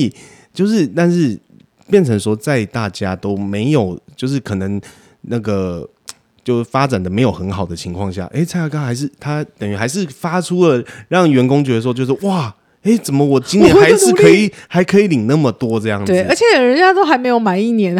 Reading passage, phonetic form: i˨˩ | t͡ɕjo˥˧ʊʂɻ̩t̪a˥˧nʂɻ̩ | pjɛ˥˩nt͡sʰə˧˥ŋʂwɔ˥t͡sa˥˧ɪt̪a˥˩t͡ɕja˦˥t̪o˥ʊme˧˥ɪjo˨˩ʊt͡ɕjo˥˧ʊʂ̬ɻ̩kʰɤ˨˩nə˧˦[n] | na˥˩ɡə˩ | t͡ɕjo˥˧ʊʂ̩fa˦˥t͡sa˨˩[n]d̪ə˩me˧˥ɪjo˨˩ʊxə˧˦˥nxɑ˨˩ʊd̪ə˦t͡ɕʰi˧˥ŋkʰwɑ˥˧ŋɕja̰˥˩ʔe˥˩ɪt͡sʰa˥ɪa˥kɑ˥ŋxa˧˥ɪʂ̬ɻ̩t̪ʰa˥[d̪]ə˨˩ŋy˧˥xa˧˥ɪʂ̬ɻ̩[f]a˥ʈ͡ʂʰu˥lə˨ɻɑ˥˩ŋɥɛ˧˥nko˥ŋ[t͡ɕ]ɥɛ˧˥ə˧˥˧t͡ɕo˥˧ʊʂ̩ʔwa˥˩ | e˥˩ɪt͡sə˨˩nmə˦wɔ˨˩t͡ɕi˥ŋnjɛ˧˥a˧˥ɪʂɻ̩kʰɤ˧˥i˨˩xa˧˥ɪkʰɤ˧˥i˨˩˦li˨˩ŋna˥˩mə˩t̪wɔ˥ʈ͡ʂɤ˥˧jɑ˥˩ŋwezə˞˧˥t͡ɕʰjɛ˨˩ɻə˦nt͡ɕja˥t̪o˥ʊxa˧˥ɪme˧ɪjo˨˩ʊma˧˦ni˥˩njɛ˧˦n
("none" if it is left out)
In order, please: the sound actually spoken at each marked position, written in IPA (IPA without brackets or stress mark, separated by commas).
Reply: ŋ, n, t̪, f, t͡ɕ